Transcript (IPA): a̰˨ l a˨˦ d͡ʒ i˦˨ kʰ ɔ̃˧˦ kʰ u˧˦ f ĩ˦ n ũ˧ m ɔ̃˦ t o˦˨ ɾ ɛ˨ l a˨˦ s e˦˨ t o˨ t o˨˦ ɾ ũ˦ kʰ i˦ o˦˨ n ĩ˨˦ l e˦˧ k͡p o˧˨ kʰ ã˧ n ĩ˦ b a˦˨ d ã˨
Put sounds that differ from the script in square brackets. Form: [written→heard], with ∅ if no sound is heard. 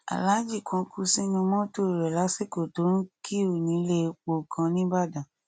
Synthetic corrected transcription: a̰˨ l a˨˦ d͡ʒ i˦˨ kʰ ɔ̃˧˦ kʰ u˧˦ [f→s] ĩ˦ n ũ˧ m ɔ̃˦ t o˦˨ ɾ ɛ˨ l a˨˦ s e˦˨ [t→k] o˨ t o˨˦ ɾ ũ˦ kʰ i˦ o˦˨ n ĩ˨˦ l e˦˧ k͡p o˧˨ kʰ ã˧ n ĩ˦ b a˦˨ d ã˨